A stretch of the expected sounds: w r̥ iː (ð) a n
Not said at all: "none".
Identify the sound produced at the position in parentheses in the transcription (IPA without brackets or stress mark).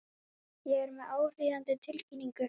ð